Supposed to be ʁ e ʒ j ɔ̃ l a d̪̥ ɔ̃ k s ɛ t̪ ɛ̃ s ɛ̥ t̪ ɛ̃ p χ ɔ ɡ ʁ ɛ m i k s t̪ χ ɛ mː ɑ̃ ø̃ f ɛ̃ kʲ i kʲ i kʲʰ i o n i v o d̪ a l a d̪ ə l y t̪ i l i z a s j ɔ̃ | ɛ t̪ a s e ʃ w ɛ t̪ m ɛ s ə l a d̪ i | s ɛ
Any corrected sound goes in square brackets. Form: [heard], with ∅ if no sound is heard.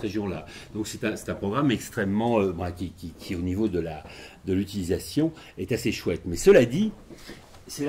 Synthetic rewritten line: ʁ e ʒ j ɔ̃ l a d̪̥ ɔ̃ k s ɛ t̪ ɛ̃ s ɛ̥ t̪ ɛ̃ p χ ɔ ɡ ʁ [a] m [ɛ] k s t̪ χ ɛ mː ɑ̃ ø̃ f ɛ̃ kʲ i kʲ i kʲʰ i o n i v o d̪ [ə] l a d̪ ə l y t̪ i l i z a s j ɔ̃ | ɛ t̪ a s e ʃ w ɛ t̪ m ɛ s ə l a d̪ i | s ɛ

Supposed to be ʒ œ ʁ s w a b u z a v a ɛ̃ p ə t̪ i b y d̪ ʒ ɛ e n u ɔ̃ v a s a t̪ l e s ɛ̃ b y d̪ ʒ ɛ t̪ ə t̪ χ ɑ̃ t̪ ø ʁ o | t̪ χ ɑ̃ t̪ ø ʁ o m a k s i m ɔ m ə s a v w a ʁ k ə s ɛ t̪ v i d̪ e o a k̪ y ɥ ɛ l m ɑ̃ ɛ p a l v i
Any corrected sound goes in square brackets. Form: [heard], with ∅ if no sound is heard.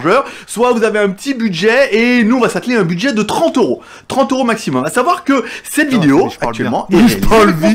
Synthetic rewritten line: ʒ œ ʁ s w a [v] u z a v [e] ɛ̃ p ə t̪ i b y d̪ ʒ ɛ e n u ɔ̃ v a s a t̪ l e [∅] ɛ̃ b y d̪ ʒ ɛ [d̪] ə t̪ χ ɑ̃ t̪ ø ʁ o | t̪ χ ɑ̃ t̪ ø ʁ o m a k s i m ɔ m [a] s a v w a ʁ k ə s ɛ t̪ v i d̪ e o a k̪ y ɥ ɛ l m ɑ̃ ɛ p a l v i

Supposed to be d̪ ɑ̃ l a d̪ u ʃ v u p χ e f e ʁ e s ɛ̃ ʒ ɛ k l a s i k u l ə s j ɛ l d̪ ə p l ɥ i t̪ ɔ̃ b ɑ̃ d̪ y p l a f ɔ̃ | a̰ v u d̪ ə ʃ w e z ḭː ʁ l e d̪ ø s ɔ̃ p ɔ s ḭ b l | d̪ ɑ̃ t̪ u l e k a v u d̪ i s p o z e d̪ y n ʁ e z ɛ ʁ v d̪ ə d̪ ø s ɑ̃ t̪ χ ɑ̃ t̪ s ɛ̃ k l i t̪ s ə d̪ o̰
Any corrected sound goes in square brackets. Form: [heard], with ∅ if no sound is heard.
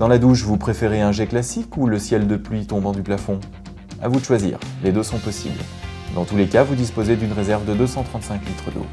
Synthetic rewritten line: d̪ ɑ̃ l a d̪ u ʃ v u p χ e f e ʁ e [∅] ɛ̃ ʒ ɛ k l a s i k u l ə s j ɛ l d̪ ə p l ɥ i t̪ ɔ̃ b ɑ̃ d̪ y p l a f ɔ̃ | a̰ v u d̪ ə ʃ w [a] z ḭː ʁ l e d̪ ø s ɔ̃ p ɔ s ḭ b l | d̪ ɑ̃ t̪ u l e k a v u d̪ i s p o z e d̪ y n ʁ e z ɛ ʁ v d̪ ə d̪ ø s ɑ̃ t̪ χ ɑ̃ t̪ s ɛ̃ k l i t̪ [χ] ə d̪ o̰

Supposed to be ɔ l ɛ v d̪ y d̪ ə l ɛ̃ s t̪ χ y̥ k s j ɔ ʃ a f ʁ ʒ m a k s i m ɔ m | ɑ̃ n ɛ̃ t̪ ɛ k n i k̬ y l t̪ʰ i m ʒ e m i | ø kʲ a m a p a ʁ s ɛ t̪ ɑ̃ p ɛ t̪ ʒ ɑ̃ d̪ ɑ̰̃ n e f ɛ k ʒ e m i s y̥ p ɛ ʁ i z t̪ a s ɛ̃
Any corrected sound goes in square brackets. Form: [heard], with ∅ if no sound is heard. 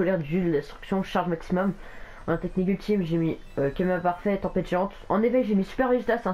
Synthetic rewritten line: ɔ l ɛ [ʁ] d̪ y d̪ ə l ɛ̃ s t̪ χ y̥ k s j [ɔ̃] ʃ a [∅] ʁ ʒ m a k s i m ɔ m | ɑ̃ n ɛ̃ t̪ ɛ k n i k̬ y l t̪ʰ i m ʒ e m i | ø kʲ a m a p a ʁ [f] ɛ t̪ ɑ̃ p ɛ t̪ ʒ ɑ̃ [t̪] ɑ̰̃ n e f ɛ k ʒ e m i s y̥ p ɛ ʁ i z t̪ a s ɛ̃

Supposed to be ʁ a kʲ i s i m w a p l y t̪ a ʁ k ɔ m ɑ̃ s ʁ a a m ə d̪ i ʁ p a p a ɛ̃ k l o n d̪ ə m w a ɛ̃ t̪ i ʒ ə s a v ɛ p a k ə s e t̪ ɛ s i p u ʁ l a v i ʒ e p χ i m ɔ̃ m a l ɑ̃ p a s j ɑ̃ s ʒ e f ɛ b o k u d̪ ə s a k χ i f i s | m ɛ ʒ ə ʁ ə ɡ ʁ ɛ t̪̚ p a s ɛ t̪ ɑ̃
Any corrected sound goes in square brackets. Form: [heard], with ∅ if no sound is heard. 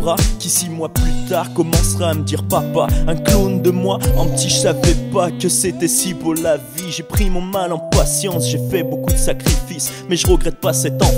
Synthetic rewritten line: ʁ a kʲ i s i m w a p l y t̪ a ʁ k ɔ m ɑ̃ s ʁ a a m ə d̪ i ʁ p a p a ɛ̃ k l o n d̪ ə m w a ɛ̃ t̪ i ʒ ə s a v ɛ p a k ə s e t̪ ɛ s i p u ʁ l a v i ʒ e p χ i m ɔ̃ m a l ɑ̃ p a s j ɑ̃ s ʒ e f ɛ b o k u d̪ ə s a k χ i f i s | m ɛ ʒ ə ʁ ə ɡ ʁ ɛ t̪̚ p a s ɛ t̪ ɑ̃

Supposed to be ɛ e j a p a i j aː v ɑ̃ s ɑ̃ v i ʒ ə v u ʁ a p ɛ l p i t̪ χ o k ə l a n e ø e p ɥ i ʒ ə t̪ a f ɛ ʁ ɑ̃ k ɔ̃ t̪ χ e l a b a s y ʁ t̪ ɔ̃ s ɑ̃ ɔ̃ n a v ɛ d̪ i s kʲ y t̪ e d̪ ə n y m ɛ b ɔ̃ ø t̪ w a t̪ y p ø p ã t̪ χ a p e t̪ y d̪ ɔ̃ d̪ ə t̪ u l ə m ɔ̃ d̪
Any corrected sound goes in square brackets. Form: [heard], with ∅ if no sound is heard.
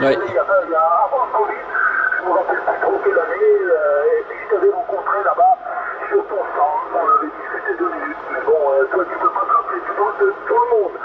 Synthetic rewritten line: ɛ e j a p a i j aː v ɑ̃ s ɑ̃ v i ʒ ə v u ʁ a p ɛ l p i t̪ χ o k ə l a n e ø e p ɥ i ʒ ə t̪ a [v] ɛ ʁ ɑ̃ k ɔ̃ t̪ χ e l a b a s y ʁ t̪ ɔ̃ s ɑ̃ ɔ̃ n a v ɛ d̪ i s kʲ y t̪ e d̪ ə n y m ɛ b ɔ̃ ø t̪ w a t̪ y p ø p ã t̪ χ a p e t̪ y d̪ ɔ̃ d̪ ə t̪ u l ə m ɔ̃ d̪

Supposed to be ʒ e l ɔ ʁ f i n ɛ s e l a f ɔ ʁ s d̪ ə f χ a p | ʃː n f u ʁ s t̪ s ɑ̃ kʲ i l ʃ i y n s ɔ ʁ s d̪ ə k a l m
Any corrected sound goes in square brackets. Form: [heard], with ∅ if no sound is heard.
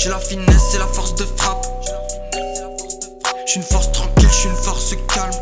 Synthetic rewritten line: ʒ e l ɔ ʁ f i n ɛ s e l a f ɔ ʁ s d̪ ə f χ a p | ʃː n f [ɔ] ʁ s t̪ [χ] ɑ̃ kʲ i l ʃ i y n [f] ɔ ʁ s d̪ ə k a l m

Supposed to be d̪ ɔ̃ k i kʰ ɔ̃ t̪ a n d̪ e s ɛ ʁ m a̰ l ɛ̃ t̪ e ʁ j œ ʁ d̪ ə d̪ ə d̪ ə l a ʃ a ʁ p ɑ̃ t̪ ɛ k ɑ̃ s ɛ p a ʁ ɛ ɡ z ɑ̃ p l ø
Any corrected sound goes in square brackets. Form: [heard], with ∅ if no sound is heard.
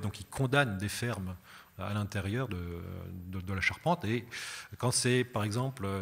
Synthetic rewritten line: d̪ ɔ̃ k i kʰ ɔ̃ [d̪] a n d̪ e [f] ɛ ʁ m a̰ l ɛ̃ t̪ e ʁ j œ ʁ d̪ ə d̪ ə d̪ ə l a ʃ a ʁ p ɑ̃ t̪ [e] k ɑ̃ s ɛ p a ʁ ɛ ɡ z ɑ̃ p l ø

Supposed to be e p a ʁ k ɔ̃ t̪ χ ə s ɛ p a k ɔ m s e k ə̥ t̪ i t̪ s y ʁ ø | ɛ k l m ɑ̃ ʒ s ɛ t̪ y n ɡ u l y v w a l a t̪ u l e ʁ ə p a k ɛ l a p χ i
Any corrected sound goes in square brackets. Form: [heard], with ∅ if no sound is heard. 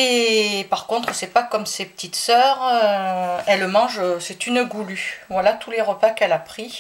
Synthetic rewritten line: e p a ʁ k ɔ̃ t̪ χ ə s ɛ p a k ɔ m s e [p] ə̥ t̪ i t̪ s [œ] ʁ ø | ɛ [∅] l m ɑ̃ ʒ s ɛ t̪ y n ɡ u l y v w a l a t̪ u l e ʁ ə p a k ɛ l a p χ i

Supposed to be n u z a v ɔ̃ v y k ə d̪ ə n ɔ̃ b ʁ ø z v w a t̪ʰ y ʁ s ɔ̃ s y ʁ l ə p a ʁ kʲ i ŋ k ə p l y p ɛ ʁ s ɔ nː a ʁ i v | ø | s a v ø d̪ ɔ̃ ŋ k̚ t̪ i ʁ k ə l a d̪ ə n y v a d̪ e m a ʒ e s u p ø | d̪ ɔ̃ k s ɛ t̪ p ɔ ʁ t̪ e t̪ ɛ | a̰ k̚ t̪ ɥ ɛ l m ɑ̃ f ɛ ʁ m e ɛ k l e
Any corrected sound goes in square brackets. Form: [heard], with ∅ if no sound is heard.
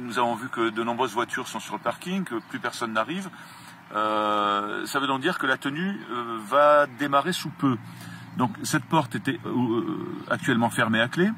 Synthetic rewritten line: n u z a v ɔ̃ v y k ə d̪ ə n ɔ̃ b ʁ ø z v w a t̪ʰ y ʁ s ɔ̃ s y ʁ l ə p a ʁ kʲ i ŋ k ə p l y p ɛ ʁ s ɔ nː a ʁ i v | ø | s a v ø d̪ ɔ̃ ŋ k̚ [d̪] i ʁ k ə l a [t̪] ə n y v a d̪ e m a [ʁ] e s u p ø | d̪ ɔ̃ k s ɛ t̪ p ɔ ʁ t̪ e t̪ ɛ | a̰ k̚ t̪ ɥ ɛ l m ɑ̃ f ɛ ʁ m e [a] k l e

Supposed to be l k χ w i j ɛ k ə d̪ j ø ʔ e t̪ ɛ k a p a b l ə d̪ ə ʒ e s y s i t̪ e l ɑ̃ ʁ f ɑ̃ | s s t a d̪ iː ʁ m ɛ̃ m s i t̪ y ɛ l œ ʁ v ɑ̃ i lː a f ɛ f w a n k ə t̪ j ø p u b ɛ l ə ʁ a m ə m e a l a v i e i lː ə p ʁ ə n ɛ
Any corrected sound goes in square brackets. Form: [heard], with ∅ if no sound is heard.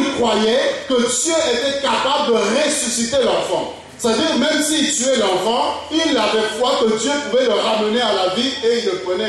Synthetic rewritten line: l k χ w [a] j ɛ k ə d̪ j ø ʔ e t̪ ɛ k a p a b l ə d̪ ə [ʁ] e s y s i t̪ e l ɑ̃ ʁ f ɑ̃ | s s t a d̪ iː ʁ m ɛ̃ m s i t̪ y ɛ l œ ʁ v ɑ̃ i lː a [v] ɛ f w a [∅] k ə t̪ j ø p u [v] ɛ l ə ʁ a m ə [n] e a l a v i e i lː ə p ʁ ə n ɛ

